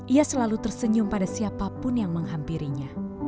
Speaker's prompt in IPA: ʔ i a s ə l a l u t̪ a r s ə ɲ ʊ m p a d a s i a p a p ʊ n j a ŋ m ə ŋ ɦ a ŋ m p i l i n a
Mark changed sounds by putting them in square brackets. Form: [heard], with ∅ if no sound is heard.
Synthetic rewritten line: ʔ i a s ə l a l u t̪ [ə] r s ə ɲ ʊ m p a d a s i a p a p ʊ n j a ŋ m ə ŋ ɦ a [∅] m p i [ɾ] i [ɲ] a